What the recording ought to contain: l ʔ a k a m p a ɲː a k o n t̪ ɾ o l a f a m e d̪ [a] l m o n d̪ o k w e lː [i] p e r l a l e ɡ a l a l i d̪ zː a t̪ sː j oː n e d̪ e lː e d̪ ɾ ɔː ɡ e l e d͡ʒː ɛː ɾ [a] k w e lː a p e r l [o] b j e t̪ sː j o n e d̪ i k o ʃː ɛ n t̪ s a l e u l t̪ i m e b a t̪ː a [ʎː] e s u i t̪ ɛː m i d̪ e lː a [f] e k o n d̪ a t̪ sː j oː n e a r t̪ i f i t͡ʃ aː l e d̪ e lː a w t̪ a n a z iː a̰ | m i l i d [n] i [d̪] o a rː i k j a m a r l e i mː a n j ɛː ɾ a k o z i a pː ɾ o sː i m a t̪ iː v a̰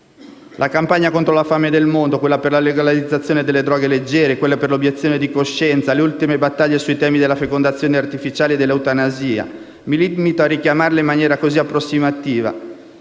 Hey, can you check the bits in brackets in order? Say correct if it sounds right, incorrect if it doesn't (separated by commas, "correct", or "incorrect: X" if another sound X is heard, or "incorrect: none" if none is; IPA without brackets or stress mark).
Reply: incorrect: e, incorrect: a, incorrect: e, correct, correct, correct, incorrect: m, incorrect: t̪